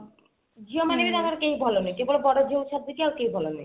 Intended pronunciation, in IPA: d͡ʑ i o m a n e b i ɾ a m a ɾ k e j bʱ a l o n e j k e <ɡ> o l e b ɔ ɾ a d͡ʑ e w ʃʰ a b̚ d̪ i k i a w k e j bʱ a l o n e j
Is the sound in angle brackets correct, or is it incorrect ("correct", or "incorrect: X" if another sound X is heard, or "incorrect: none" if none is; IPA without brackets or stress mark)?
incorrect: b